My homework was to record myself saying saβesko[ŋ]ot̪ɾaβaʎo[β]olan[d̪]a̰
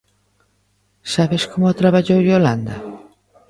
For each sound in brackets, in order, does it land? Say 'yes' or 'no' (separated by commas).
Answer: no, no, yes